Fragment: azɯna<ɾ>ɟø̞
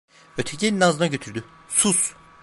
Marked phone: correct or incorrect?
incorrect